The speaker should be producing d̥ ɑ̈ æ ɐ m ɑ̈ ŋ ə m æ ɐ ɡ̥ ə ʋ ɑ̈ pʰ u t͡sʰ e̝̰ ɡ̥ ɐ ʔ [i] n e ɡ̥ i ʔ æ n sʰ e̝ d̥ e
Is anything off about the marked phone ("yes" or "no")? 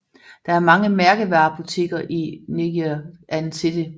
no